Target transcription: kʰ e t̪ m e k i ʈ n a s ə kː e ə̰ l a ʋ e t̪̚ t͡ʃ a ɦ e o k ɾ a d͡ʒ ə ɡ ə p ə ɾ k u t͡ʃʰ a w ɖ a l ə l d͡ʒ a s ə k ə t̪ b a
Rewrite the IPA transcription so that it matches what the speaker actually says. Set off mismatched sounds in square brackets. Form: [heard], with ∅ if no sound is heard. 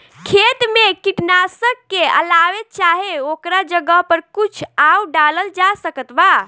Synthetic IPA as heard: kʰ e t̪ m e k i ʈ n a s ə kː e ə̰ l a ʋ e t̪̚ t͡ʃ a ɦ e o k ɾ a d͡ʒ ə ɡ ə p ə ɾ k u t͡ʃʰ a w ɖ a l ə l d͡ʒ a s ə k ə t̪ b a